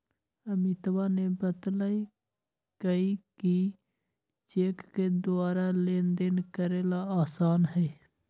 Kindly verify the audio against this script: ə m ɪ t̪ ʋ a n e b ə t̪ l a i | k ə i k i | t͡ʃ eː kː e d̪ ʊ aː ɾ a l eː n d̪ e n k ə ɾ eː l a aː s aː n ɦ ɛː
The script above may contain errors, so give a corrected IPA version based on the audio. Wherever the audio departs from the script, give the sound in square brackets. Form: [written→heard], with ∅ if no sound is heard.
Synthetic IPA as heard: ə m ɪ t̪ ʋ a n e b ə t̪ l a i | k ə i k i | t͡ʃ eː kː e d̪ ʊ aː ɾ a l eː n d̪ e n k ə ɾ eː l a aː s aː n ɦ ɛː